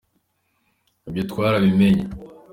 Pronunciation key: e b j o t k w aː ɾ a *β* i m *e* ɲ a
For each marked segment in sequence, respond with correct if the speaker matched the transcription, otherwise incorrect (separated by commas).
correct, correct